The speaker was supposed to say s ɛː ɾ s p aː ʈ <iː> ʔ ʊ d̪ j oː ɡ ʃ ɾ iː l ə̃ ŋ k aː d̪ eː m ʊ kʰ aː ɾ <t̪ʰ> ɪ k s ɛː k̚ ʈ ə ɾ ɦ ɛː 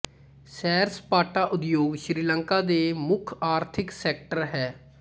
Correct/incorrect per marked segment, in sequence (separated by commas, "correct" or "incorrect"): incorrect, correct